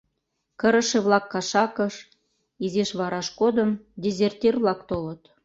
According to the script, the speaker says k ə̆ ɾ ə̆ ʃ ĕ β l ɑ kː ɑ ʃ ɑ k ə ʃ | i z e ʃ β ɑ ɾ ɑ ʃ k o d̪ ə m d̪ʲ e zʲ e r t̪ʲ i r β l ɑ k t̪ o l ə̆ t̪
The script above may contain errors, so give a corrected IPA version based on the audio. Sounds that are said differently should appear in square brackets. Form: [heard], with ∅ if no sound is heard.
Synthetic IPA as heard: k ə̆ ɾ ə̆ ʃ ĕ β l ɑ kː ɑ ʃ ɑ k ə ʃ | i z e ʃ β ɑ ɾ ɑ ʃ k o d̪ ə m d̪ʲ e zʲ e r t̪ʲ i r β l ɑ k t̪ o l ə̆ t̪